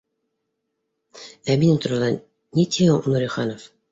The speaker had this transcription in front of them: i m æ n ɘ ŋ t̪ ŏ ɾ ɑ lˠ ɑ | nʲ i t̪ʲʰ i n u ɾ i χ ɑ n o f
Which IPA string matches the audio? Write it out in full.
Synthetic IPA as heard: æ m i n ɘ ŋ t̪ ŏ ɾ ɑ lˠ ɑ | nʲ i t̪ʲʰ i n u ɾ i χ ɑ n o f